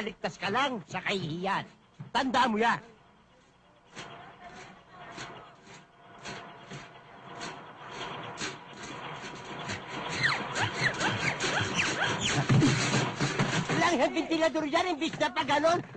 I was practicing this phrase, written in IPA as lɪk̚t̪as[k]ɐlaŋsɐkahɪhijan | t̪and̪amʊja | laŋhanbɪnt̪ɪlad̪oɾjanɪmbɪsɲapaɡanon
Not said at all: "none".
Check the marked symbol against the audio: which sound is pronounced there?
k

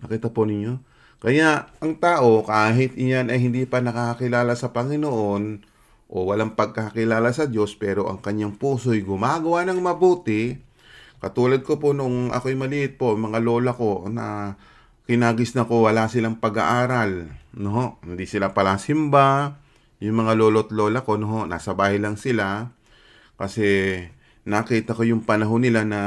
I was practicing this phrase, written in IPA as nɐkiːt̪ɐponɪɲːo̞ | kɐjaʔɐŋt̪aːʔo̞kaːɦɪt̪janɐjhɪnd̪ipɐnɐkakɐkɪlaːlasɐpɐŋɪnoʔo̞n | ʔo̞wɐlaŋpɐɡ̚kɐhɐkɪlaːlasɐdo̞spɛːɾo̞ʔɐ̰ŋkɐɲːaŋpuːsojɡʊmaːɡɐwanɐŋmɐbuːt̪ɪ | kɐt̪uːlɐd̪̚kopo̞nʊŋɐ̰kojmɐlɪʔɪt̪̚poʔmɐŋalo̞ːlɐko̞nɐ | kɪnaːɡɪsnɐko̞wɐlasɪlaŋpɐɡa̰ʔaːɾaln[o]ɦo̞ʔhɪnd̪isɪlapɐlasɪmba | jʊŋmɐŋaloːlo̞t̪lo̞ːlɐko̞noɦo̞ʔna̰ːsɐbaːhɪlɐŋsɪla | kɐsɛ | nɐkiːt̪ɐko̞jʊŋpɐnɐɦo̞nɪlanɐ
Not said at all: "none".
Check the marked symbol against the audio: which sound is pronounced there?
o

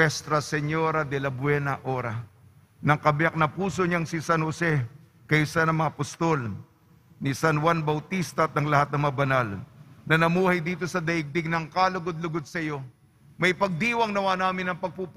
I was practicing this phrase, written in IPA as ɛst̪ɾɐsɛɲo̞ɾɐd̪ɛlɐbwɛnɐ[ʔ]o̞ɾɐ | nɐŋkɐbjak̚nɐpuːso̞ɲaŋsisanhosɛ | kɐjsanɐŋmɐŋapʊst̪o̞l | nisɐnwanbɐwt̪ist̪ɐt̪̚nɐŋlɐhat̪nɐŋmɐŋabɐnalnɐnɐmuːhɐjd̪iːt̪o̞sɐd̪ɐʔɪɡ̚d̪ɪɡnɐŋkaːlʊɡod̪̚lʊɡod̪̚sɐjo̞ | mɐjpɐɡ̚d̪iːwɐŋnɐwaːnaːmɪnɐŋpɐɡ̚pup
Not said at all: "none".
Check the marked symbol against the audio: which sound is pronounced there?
ʔ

